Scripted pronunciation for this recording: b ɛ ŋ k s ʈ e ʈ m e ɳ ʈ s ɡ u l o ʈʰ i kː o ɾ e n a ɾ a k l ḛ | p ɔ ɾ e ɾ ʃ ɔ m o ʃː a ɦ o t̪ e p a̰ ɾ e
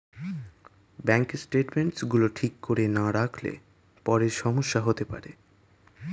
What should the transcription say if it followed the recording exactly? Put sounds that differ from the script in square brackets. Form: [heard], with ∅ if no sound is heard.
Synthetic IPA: b ɛ ŋ k s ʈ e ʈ m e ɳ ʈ s ɡ u l o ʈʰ i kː o ɾ e n a ɾ a [kʰ] l ḛ | p ɔ ɾ e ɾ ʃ ɔ m o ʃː a ɦ o t̪ e p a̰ ɾ e